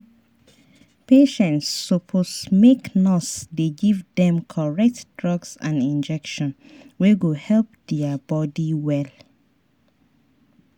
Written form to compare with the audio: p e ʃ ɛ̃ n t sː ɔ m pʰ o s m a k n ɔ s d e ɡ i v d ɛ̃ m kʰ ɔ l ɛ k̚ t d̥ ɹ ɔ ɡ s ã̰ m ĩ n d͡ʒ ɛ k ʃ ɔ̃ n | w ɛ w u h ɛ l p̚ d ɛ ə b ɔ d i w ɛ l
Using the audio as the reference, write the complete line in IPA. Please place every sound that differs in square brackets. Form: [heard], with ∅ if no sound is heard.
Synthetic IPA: p e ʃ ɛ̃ n t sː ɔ [∅] pʰ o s m [e] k n ɔ s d e ɡ i v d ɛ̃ m kʰ ɔ [ɹ] ɛ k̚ t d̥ ɹ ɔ ɡ s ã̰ [n] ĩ n d͡ʒ ɛ k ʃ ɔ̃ n | w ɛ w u h ɛ l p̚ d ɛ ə b ɔ d i w ɛ l